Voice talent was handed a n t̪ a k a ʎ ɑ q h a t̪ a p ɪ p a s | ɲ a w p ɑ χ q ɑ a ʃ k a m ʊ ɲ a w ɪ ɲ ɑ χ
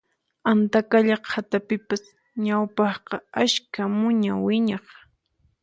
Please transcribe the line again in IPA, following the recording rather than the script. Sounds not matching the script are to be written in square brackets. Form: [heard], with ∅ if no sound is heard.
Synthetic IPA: a n t̪ a k a ʎ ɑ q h a t̪ a p ɪ p a s | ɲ a w p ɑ χ q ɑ a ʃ k a m ʊ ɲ a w ɪ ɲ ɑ χ